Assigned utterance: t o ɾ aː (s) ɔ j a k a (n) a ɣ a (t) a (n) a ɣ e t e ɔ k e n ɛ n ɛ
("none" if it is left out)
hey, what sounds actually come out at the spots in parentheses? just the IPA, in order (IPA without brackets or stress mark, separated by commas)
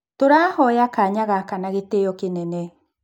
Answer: h, ɲ, k, n